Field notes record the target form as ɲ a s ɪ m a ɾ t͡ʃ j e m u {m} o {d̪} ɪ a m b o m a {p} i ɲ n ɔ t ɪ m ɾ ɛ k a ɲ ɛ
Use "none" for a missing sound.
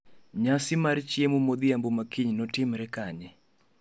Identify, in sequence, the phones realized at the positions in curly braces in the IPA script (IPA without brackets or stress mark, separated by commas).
m, d̪, k